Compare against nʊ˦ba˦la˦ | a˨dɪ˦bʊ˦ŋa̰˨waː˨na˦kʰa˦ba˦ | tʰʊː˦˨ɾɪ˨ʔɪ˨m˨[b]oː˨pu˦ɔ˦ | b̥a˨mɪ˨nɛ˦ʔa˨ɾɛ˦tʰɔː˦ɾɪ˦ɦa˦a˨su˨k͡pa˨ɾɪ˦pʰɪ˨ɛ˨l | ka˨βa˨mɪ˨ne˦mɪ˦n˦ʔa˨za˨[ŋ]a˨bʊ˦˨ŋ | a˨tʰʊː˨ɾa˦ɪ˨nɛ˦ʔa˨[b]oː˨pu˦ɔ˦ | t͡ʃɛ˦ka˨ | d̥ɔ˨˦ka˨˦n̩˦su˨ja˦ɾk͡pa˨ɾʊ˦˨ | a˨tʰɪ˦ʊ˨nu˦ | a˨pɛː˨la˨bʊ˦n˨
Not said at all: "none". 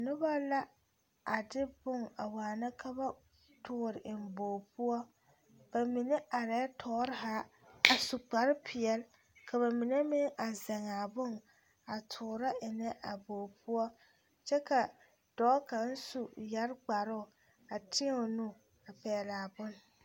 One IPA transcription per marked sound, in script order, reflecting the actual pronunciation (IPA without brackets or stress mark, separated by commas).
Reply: b, ŋ, b